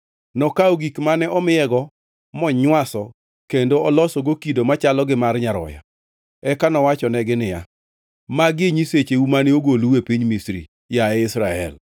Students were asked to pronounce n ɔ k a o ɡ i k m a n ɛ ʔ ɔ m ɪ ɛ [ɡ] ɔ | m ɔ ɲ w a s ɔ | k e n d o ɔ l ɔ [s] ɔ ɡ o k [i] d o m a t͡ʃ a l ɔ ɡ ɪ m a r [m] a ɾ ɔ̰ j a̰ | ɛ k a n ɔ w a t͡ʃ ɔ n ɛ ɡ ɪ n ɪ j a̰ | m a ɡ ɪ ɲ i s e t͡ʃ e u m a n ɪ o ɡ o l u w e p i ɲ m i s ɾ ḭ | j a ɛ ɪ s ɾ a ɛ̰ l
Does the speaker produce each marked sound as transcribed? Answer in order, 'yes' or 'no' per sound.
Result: yes, yes, yes, no

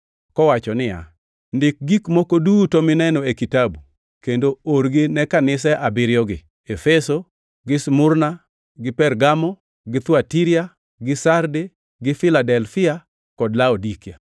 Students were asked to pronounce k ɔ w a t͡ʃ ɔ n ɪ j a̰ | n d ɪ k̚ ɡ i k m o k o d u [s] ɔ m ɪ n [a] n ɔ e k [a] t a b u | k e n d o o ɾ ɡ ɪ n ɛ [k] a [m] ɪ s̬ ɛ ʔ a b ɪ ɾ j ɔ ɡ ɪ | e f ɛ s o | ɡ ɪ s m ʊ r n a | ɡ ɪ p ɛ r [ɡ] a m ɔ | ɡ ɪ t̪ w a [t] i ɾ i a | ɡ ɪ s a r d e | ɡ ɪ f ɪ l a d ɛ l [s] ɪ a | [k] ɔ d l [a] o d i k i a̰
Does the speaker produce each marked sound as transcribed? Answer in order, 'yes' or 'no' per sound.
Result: no, no, no, yes, no, yes, yes, no, yes, yes

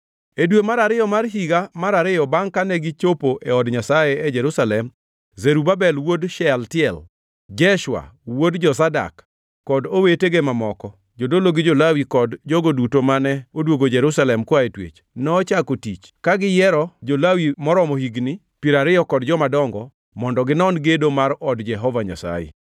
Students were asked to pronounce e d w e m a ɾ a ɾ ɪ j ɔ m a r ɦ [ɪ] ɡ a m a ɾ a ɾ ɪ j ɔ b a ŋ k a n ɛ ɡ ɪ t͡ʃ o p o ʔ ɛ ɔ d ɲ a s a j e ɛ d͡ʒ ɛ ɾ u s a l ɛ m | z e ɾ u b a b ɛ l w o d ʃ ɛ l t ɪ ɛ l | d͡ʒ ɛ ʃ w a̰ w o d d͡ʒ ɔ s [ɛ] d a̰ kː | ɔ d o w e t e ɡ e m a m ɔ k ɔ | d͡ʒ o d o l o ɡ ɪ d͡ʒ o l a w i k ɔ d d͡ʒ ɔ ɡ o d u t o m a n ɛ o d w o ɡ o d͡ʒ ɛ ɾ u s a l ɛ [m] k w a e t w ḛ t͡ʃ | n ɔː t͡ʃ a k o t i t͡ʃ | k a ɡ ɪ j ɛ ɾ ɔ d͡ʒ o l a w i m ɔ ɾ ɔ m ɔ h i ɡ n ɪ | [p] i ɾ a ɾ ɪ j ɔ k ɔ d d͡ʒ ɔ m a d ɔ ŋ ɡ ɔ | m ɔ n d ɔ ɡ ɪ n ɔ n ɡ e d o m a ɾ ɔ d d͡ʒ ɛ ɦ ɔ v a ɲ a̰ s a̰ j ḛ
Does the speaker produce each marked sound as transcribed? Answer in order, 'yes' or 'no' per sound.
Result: no, no, yes, yes

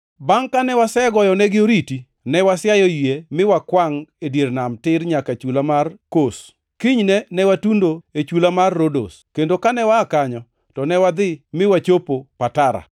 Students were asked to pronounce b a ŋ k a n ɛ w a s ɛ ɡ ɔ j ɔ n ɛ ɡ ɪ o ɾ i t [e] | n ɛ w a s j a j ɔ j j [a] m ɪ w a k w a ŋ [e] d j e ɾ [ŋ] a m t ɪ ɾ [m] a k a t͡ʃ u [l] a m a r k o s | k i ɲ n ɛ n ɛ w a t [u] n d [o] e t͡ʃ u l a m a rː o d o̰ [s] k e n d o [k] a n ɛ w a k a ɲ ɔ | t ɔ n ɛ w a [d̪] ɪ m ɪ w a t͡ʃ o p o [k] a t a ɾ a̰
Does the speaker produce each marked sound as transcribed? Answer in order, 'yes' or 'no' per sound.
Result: no, no, yes, no, no, yes, yes, yes, yes, yes, yes, no

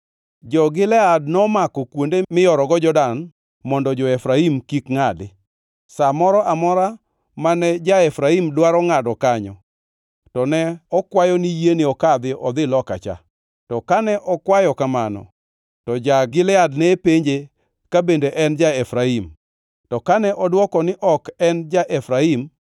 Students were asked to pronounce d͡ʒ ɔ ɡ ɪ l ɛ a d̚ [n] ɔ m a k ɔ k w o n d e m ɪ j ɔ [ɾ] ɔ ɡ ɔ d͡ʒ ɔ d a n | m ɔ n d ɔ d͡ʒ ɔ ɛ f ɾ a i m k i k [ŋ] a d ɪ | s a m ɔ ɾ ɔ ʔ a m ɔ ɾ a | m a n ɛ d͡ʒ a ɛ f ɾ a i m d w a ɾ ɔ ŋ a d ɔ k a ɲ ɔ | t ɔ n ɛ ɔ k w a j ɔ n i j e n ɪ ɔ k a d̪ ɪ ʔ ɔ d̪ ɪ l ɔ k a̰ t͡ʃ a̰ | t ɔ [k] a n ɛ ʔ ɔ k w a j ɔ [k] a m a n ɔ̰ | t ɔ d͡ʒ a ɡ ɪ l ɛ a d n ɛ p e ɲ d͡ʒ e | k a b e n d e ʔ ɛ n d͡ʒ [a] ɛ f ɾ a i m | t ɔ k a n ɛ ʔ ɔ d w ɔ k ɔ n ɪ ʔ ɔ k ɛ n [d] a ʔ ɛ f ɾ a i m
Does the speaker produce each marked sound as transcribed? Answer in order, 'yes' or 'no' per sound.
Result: yes, yes, yes, yes, yes, yes, no

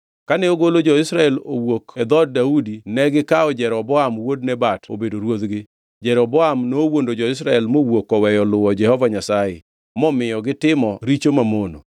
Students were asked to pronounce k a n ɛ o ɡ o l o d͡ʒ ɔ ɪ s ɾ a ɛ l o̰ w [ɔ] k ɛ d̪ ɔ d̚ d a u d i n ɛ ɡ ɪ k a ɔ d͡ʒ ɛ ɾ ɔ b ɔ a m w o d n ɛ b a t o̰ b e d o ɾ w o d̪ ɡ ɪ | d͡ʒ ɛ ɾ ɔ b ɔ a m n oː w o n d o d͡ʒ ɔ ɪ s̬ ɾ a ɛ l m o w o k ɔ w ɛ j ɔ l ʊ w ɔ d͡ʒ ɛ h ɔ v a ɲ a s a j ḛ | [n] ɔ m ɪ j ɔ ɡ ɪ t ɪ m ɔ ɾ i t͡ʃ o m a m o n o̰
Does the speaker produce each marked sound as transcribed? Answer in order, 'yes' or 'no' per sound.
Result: no, no

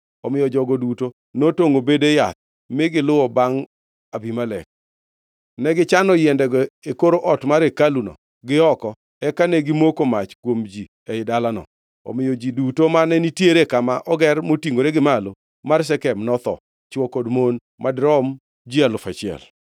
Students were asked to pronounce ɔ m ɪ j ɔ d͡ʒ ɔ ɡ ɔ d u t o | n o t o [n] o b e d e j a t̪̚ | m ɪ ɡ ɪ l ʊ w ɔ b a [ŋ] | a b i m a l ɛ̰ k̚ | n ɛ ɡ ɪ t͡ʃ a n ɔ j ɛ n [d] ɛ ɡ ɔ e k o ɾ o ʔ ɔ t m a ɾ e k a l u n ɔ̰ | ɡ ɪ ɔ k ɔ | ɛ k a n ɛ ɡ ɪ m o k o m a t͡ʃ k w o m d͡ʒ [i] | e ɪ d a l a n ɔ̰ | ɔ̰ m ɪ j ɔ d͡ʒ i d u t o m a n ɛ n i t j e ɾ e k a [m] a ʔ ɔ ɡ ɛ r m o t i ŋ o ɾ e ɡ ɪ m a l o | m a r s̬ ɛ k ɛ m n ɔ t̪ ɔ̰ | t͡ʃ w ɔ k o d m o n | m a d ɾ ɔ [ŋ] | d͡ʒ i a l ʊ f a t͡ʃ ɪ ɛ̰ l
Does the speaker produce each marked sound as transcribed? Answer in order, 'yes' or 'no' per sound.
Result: no, yes, yes, yes, yes, no

